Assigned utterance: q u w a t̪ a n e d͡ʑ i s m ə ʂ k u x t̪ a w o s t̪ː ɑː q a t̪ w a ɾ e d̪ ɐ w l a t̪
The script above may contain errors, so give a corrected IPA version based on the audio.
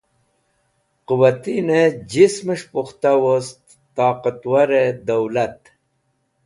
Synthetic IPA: q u w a t̪ i n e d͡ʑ i s m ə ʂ p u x t̪ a w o s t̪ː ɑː q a t̪ w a ɾ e d̪ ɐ w l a t̪